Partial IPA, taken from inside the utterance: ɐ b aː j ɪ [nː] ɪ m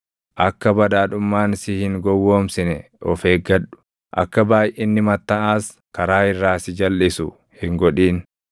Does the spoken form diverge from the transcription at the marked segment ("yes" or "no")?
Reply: no